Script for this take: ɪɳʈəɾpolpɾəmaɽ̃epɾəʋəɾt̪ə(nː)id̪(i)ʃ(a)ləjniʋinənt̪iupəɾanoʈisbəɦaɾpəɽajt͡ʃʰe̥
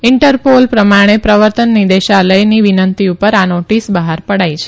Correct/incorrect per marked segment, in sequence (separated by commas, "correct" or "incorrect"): correct, incorrect, correct